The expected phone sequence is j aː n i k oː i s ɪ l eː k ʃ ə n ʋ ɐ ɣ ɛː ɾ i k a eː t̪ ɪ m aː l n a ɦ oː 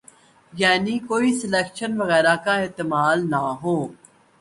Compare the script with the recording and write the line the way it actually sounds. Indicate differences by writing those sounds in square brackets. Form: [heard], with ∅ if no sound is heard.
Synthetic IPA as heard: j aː n i k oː i s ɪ l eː k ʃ ə n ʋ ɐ ɣ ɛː ɾ [a] k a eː t̪ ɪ m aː l n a ɦ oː